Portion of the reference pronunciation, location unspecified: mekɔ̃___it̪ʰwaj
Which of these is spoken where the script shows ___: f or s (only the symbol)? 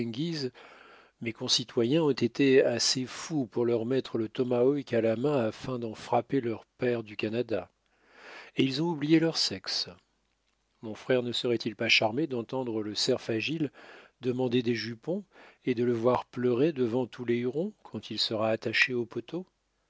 s